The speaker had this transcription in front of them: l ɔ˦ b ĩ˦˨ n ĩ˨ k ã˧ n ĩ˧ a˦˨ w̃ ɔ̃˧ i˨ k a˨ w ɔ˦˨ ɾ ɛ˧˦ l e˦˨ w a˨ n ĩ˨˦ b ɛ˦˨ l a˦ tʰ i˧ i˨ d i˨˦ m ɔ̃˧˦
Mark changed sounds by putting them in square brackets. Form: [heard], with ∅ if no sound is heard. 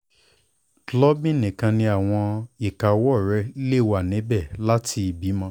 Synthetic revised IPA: l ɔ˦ b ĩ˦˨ n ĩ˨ k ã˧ n ĩ˧ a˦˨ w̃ ɔ̃˧ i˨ k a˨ w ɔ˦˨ ɾ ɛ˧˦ l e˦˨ w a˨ n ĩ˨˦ b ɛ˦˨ l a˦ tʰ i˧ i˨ [b] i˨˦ m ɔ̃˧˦